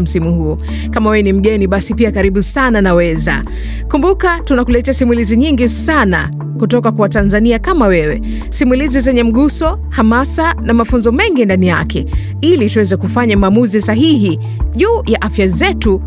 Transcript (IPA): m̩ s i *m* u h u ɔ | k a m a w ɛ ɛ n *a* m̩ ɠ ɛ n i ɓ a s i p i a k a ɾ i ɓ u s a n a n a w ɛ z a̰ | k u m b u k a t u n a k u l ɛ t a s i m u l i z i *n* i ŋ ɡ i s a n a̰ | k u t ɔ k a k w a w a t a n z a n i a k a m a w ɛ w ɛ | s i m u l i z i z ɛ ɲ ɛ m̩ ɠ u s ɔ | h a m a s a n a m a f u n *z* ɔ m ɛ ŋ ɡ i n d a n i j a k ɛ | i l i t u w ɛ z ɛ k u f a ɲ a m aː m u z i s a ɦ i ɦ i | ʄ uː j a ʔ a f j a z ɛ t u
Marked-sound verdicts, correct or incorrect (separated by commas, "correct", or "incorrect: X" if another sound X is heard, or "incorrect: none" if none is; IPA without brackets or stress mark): correct, incorrect: i, incorrect: ɲ, correct